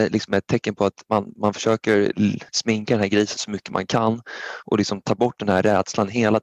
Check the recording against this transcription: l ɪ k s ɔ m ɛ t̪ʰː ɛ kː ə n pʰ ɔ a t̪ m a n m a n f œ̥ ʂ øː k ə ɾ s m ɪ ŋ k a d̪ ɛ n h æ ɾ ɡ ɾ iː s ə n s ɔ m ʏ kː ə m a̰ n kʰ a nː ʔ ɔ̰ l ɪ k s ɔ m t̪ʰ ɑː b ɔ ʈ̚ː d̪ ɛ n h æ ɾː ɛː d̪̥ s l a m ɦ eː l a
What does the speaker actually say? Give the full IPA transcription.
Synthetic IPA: l ɪ k s ɔ m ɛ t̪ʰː ɛ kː ə n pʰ ɔ a t̪ m a n m a n f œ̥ ʂ øː k ə ɾ s m ɪ ŋ k a d̪ ɛ n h æ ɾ ɡ ɾ iː s ə n s ɔ m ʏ kː ə m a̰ n kʰ a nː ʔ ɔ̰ l ɪ k s ɔ m t̪ʰ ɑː b ɔ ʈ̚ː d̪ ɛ n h æ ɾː ɛː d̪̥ s l a n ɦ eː l a